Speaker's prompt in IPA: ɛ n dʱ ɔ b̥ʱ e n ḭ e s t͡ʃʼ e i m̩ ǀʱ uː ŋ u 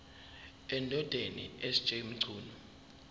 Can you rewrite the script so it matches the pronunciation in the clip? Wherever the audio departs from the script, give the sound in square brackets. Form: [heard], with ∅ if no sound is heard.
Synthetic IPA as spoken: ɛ n dʱ ɔ [d̥ʱ] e n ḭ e s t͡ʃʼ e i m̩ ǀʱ uː [n] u